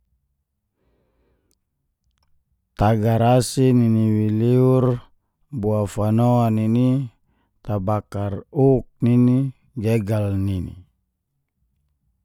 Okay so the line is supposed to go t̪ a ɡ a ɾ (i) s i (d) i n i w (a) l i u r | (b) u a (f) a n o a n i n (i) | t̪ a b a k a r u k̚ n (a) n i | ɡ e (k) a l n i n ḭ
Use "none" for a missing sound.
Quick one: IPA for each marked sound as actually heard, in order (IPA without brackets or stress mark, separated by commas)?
a, n, i, b, f, i, i, ɡ